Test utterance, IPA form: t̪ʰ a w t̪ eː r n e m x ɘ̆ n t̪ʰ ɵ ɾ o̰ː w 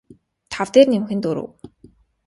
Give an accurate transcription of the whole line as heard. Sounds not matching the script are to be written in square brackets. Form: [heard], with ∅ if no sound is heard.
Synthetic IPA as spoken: t̪ʰ a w t̪ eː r n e m x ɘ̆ n [t̪] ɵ ɾ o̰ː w